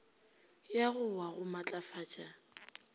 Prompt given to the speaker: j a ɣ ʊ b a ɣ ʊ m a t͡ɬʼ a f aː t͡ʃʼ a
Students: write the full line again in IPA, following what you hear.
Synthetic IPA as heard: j a ɣ ʊ w a ɣ ʊ m a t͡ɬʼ a f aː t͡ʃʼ a

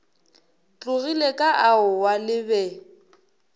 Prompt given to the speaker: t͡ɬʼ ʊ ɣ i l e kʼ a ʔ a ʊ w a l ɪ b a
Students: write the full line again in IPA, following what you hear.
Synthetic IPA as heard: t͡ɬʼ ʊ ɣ i l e kʼ a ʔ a ʊ w a l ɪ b ɛ

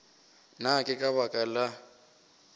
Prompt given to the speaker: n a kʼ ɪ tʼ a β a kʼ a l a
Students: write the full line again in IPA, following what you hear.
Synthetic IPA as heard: n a kʼ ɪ kʼ a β a kʼ a l a

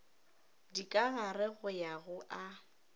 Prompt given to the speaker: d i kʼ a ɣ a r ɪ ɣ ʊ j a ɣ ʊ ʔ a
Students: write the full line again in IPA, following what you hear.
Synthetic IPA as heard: d i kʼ a ɣ a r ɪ ɣ ʊ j a ɣ ʊ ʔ a

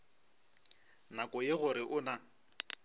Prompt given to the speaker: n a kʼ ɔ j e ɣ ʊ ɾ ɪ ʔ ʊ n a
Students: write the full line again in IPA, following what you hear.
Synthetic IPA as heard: n a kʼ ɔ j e ɣ ʊ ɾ ɪ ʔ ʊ n a

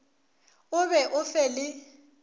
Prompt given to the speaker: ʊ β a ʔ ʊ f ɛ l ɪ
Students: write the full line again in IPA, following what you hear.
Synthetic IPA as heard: ʊ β ɛ ʔ ʊ f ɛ l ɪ

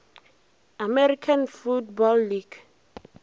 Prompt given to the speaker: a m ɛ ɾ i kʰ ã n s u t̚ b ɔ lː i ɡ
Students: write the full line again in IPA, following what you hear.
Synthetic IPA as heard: a m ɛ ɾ i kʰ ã n f u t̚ b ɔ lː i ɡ

